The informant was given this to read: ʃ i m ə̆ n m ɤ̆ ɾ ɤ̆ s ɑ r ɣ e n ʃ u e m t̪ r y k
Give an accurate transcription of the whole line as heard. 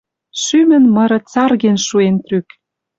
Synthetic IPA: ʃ y m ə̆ n m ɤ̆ ɾ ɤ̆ t͡s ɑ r ɣ e n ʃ u e n t̪ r y k